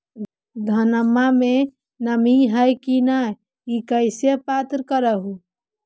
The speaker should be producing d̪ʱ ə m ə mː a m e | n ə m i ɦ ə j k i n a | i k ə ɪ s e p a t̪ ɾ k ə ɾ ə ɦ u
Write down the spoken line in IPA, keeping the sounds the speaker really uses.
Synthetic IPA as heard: d̪ʱ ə n ə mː a m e | n ə m i ɦ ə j k i n a | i k ə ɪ s e p a t̪ ɾ k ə ɾ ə ɦ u